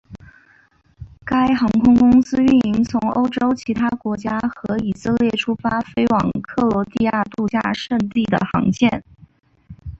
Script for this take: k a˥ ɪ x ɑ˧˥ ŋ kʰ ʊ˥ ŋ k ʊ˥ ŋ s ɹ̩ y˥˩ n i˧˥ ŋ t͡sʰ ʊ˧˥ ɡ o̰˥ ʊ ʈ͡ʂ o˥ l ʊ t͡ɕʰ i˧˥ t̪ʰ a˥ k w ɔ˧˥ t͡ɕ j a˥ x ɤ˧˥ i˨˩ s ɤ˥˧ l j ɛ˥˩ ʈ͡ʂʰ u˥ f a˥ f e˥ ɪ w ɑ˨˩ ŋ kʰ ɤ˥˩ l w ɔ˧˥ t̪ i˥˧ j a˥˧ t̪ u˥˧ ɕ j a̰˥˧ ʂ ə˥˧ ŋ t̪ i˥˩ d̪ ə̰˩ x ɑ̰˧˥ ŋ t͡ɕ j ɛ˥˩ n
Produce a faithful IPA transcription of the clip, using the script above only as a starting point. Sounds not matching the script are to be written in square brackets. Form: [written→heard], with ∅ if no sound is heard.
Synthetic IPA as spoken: k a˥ ɪ x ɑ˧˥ ŋ kʰ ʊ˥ ŋ k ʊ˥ ŋ s ɹ̩ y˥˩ n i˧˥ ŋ t͡sʰ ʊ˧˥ [ɡ→ŋ] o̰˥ ʊ ʈ͡ʂ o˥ [l→∅] ʊ t͡ɕʰ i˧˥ t̪ʰ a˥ k w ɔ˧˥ t͡ɕ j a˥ x ɤ˧˥ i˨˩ s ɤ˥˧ l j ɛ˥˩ ʈ͡ʂʰ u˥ f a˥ f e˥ ɪ w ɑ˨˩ ŋ kʰ ɤ˥˩ l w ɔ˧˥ t̪ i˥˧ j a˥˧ t̪ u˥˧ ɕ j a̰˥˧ ʂ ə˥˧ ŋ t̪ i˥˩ d̪ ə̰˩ x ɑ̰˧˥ ŋ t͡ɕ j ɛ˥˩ n